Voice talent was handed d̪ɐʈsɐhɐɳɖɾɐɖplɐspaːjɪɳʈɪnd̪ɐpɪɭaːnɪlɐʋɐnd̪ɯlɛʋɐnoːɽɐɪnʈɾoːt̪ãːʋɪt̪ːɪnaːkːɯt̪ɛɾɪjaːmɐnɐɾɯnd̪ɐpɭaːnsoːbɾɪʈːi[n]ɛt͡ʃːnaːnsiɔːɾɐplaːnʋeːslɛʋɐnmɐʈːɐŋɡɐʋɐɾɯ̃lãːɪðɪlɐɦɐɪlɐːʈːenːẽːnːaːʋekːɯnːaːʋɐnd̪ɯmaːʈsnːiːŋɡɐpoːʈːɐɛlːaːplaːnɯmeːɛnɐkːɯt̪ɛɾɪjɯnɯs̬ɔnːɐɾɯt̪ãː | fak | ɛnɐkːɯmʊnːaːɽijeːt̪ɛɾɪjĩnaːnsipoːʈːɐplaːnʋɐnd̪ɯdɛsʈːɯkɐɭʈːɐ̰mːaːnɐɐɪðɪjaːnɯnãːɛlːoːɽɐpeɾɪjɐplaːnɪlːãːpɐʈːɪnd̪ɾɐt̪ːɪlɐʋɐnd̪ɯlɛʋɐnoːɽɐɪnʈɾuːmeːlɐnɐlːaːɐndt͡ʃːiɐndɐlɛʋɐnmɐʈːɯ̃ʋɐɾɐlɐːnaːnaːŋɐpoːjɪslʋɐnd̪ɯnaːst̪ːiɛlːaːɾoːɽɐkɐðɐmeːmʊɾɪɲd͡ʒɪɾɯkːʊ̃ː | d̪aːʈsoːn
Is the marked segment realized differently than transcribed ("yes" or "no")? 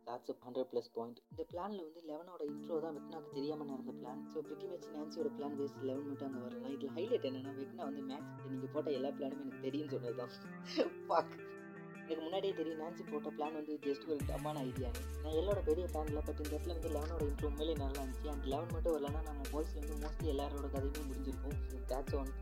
yes